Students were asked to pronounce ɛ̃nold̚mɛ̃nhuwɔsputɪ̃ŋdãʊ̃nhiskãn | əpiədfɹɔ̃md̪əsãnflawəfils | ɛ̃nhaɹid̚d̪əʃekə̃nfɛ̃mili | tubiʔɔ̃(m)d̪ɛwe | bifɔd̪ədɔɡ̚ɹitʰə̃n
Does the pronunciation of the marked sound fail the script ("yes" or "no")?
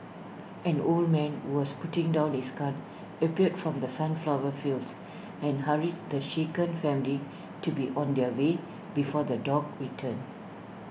yes